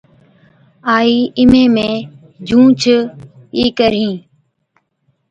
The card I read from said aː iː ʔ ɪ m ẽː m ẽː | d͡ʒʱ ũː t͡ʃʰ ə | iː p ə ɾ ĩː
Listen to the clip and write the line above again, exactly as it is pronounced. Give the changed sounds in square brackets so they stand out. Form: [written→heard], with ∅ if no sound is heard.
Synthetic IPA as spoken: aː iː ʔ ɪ m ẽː m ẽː | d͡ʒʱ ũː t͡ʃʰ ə | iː [p→k] ə ɾ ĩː